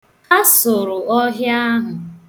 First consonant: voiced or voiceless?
voiceless